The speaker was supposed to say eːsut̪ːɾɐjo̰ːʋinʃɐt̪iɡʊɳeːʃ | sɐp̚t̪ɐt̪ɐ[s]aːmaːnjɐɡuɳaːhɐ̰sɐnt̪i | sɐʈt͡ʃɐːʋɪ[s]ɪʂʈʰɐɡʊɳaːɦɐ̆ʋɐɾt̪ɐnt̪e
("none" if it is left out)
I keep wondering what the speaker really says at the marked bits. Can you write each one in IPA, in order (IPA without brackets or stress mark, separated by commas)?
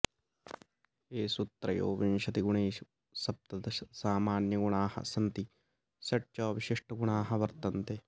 s, ʃ